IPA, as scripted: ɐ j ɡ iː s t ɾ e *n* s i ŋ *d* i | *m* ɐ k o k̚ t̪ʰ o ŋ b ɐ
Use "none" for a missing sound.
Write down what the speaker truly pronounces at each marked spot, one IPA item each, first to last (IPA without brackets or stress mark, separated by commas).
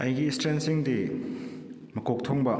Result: n, d, m